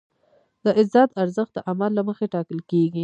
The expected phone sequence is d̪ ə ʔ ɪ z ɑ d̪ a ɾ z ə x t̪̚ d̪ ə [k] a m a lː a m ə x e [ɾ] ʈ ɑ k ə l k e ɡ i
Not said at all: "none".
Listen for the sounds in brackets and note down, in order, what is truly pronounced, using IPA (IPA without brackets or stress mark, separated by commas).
ʔ, none